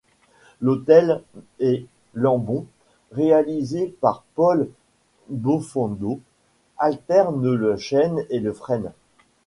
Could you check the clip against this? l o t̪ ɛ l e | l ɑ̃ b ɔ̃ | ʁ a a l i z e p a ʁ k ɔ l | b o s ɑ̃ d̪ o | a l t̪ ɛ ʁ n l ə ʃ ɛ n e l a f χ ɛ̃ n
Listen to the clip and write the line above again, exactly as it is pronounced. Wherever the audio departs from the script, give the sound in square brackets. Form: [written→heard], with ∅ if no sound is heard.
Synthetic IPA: l o t̪ ɛ l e | l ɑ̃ b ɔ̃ | ʁ [a→e] a l i z e p a ʁ [k→p] ɔ l | b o [s→f] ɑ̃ d̪ o | a l t̪ ɛ ʁ n l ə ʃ ɛ n e l [a→ə] f χ [ɛ̃→ɛ] n